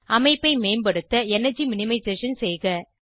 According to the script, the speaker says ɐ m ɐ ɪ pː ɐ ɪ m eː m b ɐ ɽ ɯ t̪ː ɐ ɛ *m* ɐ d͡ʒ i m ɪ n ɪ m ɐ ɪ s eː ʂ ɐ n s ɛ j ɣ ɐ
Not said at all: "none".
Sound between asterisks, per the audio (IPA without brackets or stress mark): n